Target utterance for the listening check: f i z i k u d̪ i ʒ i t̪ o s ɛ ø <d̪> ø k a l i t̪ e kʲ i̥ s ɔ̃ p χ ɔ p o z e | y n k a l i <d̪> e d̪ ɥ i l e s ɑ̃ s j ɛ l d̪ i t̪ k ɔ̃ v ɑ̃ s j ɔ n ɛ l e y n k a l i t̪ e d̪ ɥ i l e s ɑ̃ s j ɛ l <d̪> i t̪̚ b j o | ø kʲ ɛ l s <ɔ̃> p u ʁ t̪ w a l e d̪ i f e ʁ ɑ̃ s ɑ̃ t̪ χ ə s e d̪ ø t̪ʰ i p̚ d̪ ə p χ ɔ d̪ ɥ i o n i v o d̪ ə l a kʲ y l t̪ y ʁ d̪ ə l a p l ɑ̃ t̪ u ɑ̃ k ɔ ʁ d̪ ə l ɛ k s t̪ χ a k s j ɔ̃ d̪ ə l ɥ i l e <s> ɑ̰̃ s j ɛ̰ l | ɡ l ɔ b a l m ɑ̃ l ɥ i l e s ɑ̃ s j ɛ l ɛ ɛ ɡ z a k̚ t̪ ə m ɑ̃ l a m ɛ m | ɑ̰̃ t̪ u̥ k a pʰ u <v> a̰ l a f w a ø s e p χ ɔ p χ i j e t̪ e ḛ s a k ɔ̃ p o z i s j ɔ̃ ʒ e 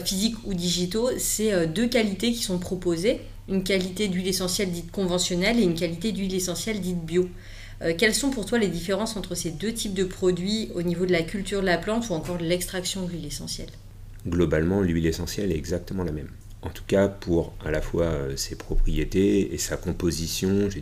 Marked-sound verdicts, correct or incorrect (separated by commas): correct, incorrect, correct, correct, correct, incorrect